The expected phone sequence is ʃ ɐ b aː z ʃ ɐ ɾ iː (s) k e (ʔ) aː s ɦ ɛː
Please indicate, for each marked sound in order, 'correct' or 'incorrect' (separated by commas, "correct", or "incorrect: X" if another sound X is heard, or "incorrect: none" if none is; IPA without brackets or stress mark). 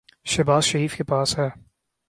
incorrect: f, incorrect: p